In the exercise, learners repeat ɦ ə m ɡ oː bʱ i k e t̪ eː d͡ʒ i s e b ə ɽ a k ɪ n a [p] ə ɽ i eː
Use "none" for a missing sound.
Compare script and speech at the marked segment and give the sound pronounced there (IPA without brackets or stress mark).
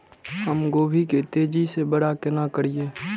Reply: k